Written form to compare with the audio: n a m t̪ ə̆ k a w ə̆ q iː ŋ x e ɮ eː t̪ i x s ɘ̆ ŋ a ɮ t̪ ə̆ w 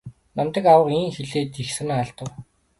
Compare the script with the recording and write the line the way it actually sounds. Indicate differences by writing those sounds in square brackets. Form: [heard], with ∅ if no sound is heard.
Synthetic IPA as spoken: n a m t̪ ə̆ k a w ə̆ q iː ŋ x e ɮ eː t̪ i x s ɘ̆ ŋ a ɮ t̪ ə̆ w